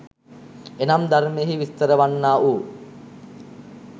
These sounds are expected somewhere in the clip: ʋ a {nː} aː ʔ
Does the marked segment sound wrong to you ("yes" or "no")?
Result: no